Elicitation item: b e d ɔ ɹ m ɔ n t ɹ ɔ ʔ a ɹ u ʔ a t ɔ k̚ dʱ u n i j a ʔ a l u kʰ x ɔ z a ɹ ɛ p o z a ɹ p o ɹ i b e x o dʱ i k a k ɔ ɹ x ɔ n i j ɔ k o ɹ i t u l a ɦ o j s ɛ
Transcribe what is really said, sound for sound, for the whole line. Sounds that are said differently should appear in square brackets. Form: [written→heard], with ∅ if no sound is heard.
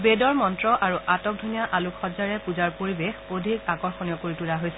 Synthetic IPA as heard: b e d ɔ ɹ m ɔ n t ɹ ɔ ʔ a ɹ u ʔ a t ɔ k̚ dʱ u n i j a ʔ a l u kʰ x ɔ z a ɹ ɛ p [o→u] z a ɹ p o ɹ i b e x o dʱ i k a k ɔ ɹ x ɔ n i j ɔ k o ɹ i t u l a ɦ o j s ɛ